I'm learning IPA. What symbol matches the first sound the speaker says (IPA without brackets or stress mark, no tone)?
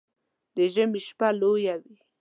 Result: d̪